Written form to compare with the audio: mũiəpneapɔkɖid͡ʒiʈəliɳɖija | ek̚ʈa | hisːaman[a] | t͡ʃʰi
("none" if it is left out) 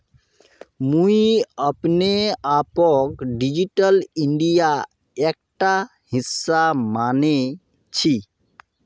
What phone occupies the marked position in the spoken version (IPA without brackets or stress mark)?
e